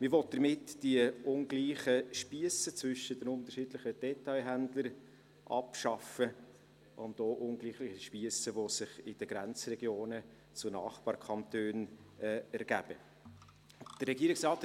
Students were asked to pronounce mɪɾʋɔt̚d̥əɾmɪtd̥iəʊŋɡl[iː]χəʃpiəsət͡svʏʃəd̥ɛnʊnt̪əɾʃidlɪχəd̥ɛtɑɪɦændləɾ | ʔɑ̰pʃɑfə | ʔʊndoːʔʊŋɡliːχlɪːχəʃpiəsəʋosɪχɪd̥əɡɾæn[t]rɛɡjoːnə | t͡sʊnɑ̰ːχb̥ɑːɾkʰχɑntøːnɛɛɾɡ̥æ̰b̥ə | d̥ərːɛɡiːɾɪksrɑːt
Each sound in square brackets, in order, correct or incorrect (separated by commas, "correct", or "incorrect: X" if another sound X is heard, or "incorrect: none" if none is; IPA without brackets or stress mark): correct, incorrect: t͡s